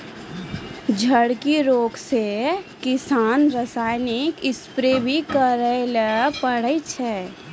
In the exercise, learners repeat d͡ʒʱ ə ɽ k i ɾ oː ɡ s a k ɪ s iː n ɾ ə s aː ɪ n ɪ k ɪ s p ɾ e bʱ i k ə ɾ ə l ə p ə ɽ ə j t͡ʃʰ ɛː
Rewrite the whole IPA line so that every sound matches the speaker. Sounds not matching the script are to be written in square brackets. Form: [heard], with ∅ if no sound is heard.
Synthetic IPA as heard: d͡ʒʱ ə ɽ k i ɾ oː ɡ s [e] k ɪ s [aː] n ɾ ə s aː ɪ n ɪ k ɪ s p ɾ e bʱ i k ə ɾ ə l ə p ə ɽ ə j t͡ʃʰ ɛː